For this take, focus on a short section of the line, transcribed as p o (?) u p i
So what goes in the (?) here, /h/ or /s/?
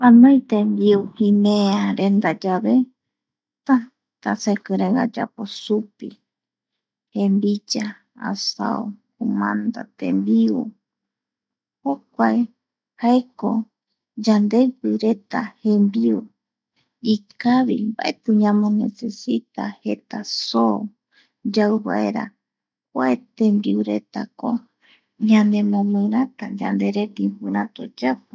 s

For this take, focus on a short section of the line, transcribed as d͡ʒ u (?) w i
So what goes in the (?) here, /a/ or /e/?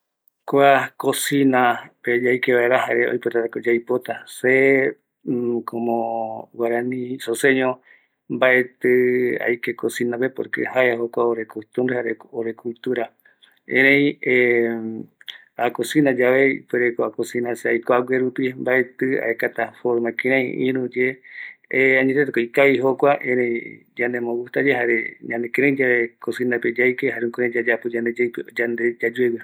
e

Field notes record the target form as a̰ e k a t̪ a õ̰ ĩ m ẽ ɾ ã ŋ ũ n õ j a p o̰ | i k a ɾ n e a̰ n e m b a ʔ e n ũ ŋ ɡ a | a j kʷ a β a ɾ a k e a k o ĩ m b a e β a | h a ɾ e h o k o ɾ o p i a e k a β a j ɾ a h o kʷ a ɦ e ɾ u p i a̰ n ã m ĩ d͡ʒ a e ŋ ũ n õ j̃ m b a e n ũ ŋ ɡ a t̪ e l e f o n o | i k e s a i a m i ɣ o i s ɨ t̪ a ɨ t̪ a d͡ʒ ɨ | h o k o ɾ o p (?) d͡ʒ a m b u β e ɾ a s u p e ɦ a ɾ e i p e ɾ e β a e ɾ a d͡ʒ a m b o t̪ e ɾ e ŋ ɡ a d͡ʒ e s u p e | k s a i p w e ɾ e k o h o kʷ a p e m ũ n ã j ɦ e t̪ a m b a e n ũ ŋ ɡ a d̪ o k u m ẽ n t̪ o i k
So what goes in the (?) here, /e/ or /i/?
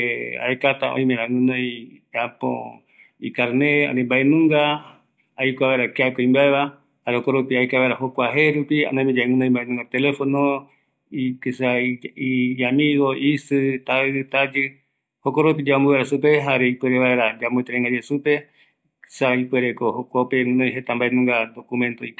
i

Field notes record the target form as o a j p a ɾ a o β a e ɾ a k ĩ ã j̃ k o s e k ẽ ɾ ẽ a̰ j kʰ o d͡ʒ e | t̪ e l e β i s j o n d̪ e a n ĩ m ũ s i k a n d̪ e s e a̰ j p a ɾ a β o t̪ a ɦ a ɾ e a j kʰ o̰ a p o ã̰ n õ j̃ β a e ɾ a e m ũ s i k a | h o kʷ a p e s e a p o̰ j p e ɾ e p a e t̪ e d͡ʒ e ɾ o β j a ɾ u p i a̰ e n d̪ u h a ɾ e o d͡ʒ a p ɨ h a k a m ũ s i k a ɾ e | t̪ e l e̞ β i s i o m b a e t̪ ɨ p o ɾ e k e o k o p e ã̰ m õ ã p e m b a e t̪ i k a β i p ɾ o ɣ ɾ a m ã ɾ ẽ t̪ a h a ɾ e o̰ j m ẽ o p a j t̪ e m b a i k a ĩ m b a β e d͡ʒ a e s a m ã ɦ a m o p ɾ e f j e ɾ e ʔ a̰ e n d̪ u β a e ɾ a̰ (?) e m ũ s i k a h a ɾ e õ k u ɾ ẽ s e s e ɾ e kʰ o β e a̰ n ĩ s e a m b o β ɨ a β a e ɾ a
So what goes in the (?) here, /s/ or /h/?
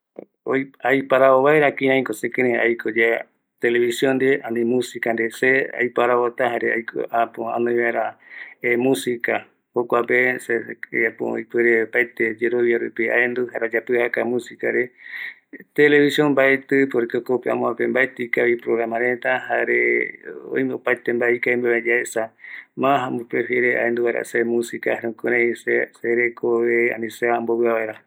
s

